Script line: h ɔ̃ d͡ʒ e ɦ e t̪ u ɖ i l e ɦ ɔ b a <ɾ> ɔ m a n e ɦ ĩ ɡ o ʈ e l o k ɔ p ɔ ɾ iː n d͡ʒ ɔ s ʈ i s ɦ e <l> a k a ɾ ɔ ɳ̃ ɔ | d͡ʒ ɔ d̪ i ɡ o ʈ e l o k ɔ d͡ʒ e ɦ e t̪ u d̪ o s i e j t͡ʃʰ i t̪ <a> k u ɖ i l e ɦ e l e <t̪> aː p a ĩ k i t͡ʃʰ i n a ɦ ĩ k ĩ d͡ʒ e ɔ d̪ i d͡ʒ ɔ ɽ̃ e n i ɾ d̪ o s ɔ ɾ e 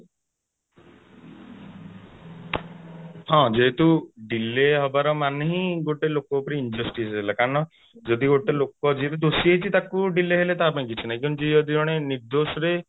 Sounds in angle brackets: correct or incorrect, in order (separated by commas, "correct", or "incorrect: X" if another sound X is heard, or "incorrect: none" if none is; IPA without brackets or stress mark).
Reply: correct, correct, correct, correct